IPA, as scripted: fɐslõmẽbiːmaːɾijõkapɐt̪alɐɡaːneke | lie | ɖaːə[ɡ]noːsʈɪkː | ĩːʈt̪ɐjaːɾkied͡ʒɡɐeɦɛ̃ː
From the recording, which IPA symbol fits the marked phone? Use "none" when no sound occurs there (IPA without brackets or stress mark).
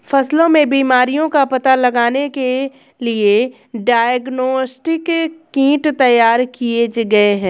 ɡ